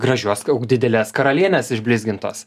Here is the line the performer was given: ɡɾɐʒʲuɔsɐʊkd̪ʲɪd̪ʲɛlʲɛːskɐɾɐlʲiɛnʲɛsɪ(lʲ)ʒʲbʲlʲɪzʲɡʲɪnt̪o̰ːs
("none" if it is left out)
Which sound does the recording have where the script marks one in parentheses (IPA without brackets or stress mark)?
none